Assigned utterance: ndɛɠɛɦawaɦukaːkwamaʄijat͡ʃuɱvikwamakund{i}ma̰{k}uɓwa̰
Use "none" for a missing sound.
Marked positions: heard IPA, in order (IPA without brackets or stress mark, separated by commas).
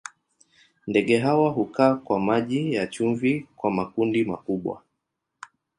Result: i, k